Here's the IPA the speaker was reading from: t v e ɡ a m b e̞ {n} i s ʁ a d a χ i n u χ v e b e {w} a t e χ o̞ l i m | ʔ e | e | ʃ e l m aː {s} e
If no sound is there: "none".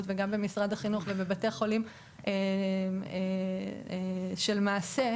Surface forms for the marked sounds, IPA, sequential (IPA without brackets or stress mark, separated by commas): m, b, s